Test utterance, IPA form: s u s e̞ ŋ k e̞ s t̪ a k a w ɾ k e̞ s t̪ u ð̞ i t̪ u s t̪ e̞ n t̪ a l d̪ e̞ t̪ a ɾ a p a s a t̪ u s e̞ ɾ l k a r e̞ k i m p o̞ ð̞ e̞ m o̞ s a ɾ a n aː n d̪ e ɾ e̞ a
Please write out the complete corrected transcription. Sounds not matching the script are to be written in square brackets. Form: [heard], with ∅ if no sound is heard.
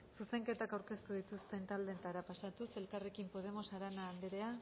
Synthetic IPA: s u s e̞ ŋ k e̞ [∅] t̪ a k a w ɾ k e̞ s t̪ u ð̞ i t̪ u s t̪ e̞ n t̪ a l d̪ e̞ t̪ a ɾ a p a s a t̪ u s e̞ [∅] l k a r e̞ k i m p o̞ ð̞ e̞ m o̞ s a ɾ a n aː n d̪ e ɾ e̞ a